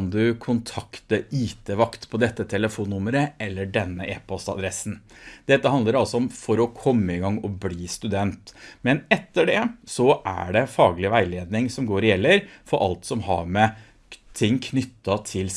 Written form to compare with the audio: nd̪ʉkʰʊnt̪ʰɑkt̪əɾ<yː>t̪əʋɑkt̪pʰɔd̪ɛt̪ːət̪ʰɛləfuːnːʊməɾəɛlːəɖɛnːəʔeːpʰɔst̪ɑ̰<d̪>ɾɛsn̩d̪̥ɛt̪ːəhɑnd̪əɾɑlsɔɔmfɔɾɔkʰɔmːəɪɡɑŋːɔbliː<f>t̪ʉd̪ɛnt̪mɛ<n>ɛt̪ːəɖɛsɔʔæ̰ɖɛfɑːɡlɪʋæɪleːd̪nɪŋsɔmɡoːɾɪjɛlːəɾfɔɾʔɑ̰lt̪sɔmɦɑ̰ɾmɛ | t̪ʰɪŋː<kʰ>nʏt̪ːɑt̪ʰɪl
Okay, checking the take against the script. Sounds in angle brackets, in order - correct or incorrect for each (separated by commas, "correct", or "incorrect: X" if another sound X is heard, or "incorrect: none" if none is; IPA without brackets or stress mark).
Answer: incorrect: iː, correct, incorrect: s, correct, correct